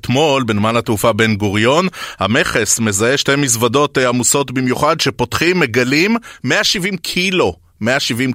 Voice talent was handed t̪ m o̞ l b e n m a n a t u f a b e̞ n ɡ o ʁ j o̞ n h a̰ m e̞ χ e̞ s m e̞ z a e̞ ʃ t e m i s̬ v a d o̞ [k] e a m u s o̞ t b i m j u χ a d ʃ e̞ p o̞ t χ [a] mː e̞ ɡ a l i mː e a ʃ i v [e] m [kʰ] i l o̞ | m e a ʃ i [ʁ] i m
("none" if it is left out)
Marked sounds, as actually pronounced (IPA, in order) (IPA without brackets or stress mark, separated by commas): t, i, i, kʰ, v